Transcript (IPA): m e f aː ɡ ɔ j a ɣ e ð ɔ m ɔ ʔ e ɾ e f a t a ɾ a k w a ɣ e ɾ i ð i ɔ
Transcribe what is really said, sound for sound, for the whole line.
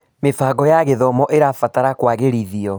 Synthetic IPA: m e f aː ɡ ɔ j a ɣ e ð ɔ m ɔ ʔ e ɾ a f a t a ɾ a k w a ɣ e ɾ i ð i ɔ